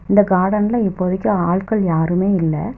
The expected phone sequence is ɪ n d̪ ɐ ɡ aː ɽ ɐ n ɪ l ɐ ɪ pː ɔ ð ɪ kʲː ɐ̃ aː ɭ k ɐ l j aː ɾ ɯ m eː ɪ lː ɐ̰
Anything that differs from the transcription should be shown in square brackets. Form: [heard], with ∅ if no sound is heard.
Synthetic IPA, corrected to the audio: ɪ n d̪ ɐ ɡ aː ɽ ɐ n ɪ l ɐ ɪ pː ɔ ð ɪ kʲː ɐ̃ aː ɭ k ɐ [ɭ] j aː ɾ ɯ m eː ɪ lː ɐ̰